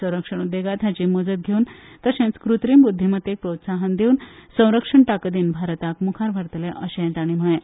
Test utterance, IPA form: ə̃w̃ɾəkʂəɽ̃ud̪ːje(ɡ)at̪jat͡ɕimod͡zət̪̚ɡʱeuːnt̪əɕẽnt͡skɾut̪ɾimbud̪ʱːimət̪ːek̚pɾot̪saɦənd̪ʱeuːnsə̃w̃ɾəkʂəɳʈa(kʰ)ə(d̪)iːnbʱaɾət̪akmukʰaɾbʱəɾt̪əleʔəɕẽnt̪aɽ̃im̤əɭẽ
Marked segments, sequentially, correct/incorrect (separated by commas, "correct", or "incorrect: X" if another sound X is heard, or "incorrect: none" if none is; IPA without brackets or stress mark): correct, incorrect: k, correct